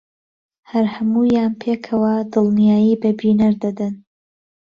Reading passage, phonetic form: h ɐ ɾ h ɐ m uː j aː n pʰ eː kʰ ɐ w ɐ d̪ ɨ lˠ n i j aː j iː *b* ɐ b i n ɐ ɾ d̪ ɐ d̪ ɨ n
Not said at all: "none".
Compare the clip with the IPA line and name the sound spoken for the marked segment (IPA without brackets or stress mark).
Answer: b